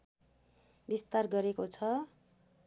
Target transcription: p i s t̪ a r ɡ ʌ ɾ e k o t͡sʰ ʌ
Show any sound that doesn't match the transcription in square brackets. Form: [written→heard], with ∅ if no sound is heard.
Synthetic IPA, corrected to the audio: [p→b] i s t̪ a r ɡ ʌ ɾ e k o t͡sʰ ʌ

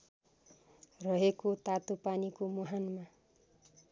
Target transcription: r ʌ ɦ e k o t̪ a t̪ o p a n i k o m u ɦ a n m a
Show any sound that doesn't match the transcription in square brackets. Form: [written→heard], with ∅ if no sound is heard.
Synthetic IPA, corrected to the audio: r ʌ ɦ e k o t̪ a t̪ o p a n i k o m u ɦ a n m a

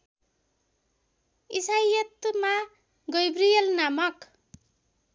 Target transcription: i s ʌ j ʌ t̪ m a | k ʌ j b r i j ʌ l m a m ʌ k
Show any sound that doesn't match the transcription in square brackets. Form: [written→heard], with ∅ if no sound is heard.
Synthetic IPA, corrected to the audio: i s [ʌ→a] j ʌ t̪ m a | [k→ɡ] ʌ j b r i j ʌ l [m→n] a m ʌ k

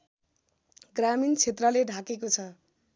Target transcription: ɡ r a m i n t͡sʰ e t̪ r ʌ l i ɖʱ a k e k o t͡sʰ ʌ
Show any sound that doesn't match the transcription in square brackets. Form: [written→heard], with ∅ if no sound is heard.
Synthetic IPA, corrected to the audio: ɡ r a m i n t͡sʰ e t̪ r ʌ l [i→e] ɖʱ a k e k o t͡sʰ ʌ

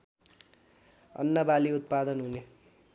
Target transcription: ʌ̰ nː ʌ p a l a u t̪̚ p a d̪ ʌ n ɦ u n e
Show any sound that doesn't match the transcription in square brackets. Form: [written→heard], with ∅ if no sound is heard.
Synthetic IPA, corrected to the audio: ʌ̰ nː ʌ [p→b] a l [a→i] u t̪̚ p a d̪ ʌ n ɦ u n e

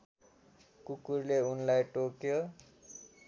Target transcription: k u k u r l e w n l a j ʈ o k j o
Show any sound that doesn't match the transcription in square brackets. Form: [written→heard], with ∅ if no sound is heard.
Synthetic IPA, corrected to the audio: k u k u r l e [w→u] n l a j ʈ o k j o

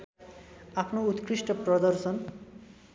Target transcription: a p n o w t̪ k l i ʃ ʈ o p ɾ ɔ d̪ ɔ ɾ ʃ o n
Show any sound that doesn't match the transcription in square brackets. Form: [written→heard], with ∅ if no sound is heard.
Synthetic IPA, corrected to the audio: a p n o [w→u] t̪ k [l→ɾ] i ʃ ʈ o p ɾ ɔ d̪ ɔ ɾ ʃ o n

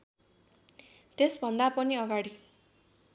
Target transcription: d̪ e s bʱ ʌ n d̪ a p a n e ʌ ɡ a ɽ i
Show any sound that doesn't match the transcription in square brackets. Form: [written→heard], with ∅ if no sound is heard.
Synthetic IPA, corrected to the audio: [d̪→t̪] e s bʱ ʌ n d̪ a p [a→ʌ] n [e→i] ʌ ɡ a ɽ i

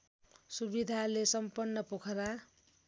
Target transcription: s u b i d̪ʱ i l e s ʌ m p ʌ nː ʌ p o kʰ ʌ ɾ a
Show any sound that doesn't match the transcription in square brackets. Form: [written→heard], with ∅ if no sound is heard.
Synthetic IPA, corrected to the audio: s u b i d̪ʱ [i→a] l e s ʌ m p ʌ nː ʌ p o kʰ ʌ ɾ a

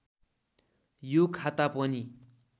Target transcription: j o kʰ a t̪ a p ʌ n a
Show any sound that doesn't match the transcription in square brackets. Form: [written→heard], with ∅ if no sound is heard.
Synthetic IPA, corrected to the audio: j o kʰ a t̪ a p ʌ n [a→i]

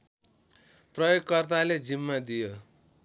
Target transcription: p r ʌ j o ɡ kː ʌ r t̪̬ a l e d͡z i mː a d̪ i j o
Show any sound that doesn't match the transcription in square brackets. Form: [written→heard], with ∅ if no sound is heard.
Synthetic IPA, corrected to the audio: p r ʌ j o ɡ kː ʌ r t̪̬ a l e d͡z i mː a d̪ i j o

